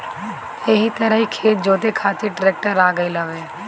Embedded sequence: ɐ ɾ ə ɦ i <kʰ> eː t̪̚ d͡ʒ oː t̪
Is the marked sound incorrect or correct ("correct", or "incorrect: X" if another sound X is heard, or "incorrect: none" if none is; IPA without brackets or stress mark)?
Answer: correct